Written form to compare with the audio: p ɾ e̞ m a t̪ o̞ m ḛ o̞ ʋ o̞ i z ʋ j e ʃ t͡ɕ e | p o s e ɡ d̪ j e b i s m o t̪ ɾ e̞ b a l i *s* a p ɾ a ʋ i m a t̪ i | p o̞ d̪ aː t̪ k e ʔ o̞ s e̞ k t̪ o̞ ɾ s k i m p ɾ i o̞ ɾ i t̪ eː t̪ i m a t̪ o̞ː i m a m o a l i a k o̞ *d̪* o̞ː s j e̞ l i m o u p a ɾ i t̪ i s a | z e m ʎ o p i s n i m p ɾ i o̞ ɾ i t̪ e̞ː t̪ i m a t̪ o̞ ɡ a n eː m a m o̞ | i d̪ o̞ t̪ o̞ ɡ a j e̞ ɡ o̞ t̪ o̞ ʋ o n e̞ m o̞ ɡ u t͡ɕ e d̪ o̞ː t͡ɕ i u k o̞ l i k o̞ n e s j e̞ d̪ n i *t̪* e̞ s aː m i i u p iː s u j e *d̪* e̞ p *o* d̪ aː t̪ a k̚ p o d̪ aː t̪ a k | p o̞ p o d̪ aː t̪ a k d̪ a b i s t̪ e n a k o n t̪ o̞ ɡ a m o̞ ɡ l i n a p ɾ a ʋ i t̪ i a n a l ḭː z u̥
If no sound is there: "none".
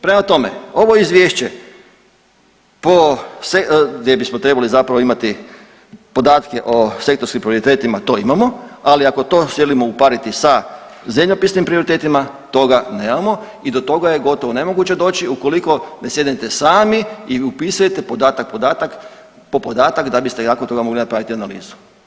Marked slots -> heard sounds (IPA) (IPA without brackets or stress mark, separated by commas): z, t̪, t̪, t̪, o